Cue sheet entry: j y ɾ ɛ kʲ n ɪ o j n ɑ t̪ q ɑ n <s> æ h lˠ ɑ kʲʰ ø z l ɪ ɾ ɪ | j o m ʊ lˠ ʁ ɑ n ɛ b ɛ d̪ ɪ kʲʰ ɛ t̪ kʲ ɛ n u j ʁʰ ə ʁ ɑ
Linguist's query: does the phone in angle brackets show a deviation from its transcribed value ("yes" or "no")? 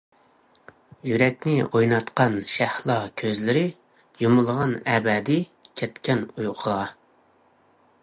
yes